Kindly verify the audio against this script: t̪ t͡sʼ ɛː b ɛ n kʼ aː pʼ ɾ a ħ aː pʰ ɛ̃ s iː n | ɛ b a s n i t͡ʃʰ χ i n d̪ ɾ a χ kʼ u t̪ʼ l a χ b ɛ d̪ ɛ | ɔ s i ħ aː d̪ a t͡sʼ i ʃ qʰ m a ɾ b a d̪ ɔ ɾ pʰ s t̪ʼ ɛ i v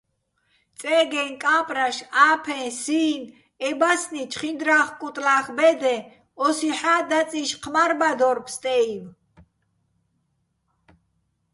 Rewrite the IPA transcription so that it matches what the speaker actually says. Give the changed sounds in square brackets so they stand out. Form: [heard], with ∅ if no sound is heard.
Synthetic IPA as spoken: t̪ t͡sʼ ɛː [ɡ] ɛ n kʼ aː pʼ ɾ a [ʃ] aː pʰ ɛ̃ s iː n | ɛ b a s n i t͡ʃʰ χ i n d̪ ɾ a χ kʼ u t̪ʼ l a χ b ɛ d̪ ɛ | ɔ s i ħ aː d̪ a t͡sʼ i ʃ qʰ m a ɾ b a d̪ ɔ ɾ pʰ s t̪ʼ ɛ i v

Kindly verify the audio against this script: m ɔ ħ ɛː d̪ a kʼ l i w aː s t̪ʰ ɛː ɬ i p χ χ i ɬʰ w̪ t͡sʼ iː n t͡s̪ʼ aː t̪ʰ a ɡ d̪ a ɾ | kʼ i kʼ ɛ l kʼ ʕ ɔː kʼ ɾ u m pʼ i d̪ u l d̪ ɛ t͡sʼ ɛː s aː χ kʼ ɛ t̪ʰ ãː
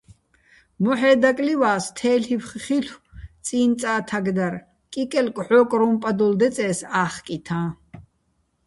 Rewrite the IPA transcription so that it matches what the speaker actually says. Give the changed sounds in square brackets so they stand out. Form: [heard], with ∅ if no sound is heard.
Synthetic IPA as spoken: m ɔ ħ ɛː d̪ a kʼ l i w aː s t̪ʰ ɛː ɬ i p χ χ i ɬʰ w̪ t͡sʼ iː n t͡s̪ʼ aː t̪ʰ a ɡ d̪ a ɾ | kʼ i kʼ ɛ l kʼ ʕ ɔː kʼ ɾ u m pʼ [a] d̪ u l d̪ ɛ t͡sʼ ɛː s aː χ kʼ [i] t̪ʰ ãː

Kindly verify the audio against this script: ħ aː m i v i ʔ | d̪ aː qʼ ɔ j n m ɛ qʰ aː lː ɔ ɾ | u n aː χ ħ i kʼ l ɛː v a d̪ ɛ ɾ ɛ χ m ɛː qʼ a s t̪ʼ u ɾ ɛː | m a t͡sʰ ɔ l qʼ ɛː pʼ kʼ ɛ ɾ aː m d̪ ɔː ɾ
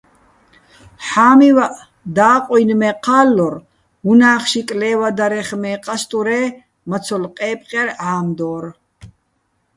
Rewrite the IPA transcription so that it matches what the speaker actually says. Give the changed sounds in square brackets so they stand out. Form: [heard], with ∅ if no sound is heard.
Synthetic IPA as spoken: ħ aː m i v [a] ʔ | d̪ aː qʼ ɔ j n m ɛ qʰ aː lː ɔ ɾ | u n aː χ [ʃ] i kʼ l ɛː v a d̪ [a] ɾ ɛ χ m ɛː qʼ a s t̪ʼ u ɾ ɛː | m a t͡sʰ ɔ l qʼ ɛː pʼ [qʼ] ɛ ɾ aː m d̪ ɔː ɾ

